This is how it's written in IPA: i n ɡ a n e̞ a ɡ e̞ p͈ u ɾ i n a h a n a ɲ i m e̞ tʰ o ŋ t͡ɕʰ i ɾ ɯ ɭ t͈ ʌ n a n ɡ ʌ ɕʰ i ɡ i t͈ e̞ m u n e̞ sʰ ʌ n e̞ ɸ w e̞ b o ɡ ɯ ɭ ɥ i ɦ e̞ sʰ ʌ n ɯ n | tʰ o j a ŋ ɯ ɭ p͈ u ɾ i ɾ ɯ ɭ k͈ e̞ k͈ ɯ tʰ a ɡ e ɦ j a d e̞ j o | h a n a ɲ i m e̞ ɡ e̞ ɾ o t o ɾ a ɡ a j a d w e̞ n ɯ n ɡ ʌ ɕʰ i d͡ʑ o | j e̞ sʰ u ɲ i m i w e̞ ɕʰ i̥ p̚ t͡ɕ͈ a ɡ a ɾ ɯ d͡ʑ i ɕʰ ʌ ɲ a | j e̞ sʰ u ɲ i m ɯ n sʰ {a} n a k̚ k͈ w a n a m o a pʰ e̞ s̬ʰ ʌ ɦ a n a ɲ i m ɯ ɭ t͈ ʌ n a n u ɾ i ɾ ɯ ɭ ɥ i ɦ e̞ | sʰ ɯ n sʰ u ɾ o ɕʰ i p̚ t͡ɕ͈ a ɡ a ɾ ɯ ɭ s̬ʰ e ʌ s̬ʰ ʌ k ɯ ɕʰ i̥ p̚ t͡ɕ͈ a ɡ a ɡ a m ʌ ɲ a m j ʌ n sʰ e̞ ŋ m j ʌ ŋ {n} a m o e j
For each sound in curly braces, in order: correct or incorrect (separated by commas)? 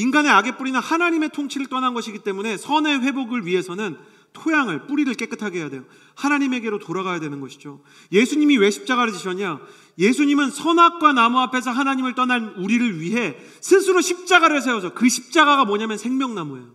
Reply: incorrect, correct